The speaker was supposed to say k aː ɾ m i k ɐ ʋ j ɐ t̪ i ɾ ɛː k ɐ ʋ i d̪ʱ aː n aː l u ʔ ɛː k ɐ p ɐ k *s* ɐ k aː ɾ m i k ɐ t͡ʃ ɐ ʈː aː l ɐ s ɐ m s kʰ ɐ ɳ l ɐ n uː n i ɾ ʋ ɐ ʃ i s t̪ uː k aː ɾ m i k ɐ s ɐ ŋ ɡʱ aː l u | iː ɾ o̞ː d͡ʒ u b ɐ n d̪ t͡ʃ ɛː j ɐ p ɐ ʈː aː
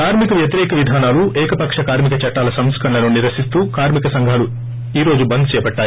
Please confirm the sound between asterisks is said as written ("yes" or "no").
no